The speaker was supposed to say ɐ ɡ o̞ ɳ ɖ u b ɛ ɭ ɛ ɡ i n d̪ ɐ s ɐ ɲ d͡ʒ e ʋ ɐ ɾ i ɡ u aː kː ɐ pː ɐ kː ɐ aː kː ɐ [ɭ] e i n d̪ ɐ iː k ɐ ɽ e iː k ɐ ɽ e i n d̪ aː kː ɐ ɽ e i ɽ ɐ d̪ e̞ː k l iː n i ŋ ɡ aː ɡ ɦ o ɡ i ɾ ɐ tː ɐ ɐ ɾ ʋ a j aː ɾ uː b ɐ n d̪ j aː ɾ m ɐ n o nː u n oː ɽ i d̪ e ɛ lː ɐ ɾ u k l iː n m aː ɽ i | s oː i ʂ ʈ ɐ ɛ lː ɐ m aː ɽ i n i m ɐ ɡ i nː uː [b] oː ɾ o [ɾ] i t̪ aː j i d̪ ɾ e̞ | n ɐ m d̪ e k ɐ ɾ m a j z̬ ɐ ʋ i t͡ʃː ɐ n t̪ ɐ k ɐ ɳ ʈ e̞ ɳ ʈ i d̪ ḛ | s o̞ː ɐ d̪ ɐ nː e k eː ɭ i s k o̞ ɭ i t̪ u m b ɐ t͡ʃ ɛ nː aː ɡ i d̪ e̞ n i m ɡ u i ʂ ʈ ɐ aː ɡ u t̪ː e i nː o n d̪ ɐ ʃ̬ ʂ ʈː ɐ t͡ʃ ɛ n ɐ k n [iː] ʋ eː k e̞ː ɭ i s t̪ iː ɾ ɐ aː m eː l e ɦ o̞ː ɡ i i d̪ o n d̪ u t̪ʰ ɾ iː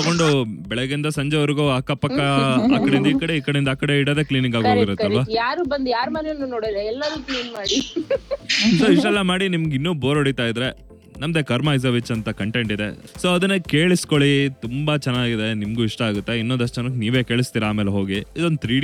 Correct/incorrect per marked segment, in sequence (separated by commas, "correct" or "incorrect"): incorrect, correct, incorrect, correct